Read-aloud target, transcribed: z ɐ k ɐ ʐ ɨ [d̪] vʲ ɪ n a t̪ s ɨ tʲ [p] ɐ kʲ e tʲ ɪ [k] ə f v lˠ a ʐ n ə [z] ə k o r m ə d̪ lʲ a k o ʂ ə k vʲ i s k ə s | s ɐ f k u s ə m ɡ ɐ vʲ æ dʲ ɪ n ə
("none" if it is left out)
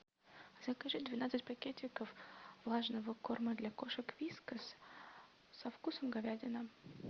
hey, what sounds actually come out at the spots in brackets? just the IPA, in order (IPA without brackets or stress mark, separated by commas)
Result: d̪, p, k, v